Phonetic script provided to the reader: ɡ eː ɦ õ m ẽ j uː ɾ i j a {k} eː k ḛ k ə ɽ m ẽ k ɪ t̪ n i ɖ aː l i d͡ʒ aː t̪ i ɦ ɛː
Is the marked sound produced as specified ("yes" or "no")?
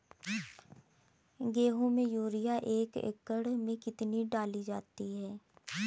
no